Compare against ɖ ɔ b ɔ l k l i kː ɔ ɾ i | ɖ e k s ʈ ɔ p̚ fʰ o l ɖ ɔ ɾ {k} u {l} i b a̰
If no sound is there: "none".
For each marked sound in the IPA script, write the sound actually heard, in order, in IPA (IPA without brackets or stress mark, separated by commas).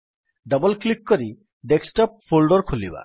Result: kʰ, l